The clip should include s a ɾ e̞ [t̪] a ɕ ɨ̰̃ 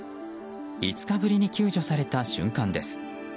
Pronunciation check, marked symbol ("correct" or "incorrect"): correct